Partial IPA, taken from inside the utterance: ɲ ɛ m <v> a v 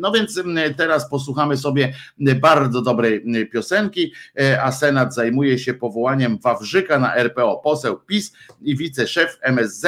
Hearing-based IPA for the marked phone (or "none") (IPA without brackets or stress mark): v